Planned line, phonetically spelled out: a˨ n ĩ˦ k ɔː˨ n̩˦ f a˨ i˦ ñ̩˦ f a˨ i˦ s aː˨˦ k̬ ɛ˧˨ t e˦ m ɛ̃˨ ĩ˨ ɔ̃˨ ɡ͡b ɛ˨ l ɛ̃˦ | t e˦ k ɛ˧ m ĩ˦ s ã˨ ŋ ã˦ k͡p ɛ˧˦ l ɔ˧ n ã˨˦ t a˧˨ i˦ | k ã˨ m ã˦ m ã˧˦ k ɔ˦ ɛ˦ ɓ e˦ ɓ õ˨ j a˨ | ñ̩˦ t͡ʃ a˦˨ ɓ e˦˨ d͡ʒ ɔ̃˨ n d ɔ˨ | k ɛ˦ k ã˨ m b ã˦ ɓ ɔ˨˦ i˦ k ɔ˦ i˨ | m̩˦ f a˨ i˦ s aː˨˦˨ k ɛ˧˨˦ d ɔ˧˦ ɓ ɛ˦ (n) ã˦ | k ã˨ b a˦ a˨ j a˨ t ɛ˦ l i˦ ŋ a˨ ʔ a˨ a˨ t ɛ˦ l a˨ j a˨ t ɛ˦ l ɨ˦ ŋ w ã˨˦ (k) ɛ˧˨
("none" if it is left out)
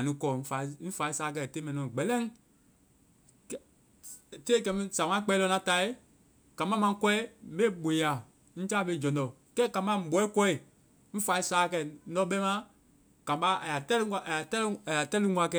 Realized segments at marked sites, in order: m, k

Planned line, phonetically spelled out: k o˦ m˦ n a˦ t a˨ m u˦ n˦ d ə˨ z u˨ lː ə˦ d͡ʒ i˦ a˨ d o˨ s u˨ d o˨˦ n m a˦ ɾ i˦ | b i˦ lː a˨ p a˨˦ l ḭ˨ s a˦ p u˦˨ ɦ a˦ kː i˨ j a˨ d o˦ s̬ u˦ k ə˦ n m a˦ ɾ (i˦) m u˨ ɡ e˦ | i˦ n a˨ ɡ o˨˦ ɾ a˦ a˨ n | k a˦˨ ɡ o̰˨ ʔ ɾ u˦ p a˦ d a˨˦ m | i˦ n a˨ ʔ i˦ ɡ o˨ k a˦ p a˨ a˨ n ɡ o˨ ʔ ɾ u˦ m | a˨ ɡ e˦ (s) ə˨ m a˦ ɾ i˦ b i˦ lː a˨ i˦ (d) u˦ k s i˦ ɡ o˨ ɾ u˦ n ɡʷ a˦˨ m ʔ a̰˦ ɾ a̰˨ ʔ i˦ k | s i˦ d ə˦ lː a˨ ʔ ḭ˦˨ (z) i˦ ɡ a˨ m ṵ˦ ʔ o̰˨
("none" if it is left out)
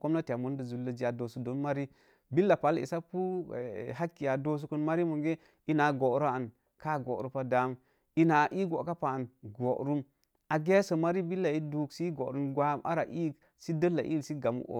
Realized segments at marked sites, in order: i˦, s, d, s

